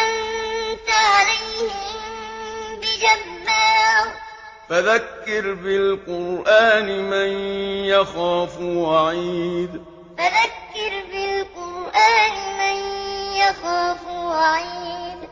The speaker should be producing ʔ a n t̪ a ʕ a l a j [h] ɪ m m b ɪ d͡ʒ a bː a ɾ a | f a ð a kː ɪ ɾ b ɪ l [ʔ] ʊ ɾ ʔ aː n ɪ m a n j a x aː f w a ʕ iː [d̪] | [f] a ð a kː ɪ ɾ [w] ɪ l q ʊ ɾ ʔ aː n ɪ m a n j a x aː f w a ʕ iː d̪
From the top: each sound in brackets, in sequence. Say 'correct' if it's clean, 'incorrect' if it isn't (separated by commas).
correct, incorrect, correct, correct, incorrect